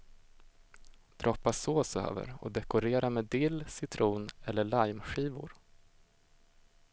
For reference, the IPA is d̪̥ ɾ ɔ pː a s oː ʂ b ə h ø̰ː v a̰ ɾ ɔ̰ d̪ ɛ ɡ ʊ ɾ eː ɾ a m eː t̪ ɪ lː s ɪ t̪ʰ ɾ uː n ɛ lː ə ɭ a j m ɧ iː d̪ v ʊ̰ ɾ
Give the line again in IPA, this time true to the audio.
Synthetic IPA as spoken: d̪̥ ɾ ɔ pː a s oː s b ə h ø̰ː v ə̰ ɾ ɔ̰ d̪ ɛ k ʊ ɾ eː ɾ a m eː d̪ ɪ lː s ɪ t̪ʰ ɾ uː n ɛ lː ə ɭ a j m ɧ iː v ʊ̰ ɾ